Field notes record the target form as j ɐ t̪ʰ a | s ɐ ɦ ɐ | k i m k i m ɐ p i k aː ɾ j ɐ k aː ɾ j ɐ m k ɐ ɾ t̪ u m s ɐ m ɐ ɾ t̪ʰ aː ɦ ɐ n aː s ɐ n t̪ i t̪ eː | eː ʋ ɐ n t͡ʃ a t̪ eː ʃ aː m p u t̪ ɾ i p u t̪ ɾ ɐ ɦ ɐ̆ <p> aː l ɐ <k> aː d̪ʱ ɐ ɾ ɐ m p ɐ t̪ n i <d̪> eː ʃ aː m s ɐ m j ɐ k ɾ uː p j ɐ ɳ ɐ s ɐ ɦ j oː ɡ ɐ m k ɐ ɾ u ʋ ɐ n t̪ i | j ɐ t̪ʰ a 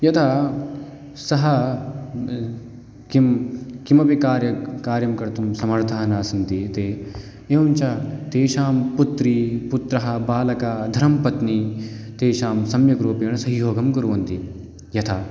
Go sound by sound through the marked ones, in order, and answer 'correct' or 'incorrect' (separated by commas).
incorrect, correct, incorrect